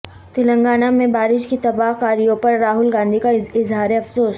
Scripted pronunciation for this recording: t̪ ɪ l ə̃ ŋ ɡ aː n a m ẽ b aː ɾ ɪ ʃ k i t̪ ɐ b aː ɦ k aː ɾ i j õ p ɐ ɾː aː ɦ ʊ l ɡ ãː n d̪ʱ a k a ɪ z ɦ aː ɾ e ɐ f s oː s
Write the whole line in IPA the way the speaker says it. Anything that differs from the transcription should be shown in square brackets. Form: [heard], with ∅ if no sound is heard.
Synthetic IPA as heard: t̪ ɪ l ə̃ ŋ ɡ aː n a m ẽ b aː ɾ ɪ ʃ k i t̪ ɐ b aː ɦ k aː ɾ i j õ p ɐ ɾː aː ɦ ʊ l ɡ ãː n d̪ʱ [i] k a ɪ z ɦ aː ɾ e ɐ f s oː s